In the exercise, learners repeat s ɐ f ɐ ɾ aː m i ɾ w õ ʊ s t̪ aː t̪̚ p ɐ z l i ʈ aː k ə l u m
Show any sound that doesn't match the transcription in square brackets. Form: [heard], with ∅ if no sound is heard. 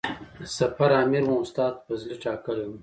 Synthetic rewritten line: s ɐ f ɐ ɾ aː m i ɾ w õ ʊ s t̪ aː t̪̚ p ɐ z l i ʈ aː k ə l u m